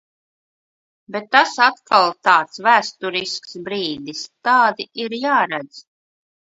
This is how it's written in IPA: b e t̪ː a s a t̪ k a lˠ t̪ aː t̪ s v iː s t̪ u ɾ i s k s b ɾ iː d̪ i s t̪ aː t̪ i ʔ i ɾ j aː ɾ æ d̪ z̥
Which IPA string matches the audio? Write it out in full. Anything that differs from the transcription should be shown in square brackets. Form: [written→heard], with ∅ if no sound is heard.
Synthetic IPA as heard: b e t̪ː a s a t̪ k a lˠ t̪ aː t̪ s v [iː→æː] s t̪ u ɾ i s k s b ɾ iː d̪ i s t̪ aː [t̪→d̪] i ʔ i ɾ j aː ɾ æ d̪ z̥